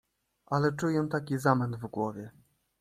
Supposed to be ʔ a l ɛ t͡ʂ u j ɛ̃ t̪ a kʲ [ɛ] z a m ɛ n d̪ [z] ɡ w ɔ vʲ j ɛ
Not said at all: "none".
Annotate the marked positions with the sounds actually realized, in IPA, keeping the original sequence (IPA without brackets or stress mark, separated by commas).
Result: i, v